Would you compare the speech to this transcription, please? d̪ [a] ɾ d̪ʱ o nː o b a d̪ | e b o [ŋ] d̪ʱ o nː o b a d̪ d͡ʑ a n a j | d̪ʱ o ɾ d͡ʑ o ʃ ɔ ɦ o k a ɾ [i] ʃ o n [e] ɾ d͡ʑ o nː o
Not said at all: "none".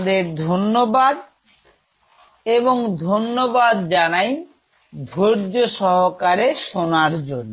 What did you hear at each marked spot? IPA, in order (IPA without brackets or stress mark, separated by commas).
e, ŋ, e, a